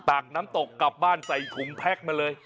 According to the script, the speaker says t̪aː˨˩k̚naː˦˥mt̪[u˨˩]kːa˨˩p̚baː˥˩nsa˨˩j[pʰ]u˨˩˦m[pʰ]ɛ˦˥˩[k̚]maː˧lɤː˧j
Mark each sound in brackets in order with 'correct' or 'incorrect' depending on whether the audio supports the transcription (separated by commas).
incorrect, incorrect, correct, correct